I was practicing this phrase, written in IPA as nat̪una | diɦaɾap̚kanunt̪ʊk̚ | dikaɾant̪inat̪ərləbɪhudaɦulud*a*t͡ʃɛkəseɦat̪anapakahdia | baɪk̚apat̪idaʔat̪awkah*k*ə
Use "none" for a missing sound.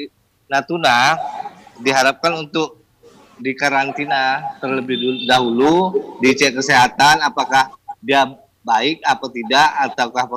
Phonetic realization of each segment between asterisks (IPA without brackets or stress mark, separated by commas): i, p